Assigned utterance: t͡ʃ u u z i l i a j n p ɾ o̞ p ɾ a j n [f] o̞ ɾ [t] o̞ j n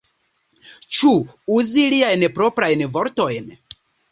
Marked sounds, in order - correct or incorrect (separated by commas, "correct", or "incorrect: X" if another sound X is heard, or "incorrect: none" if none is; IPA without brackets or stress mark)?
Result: incorrect: v, correct